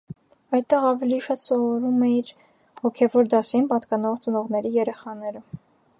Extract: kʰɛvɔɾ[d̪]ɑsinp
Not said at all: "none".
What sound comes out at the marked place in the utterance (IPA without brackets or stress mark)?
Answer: d̪